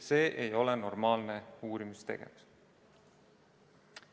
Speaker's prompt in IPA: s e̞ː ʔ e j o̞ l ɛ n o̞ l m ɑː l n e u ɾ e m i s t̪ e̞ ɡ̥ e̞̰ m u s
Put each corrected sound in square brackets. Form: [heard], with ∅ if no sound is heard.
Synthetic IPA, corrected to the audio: s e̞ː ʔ e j o̞ l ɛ n o̞ [r] m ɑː l n e [uː] ɾ [i] m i s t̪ e̞ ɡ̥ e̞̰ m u s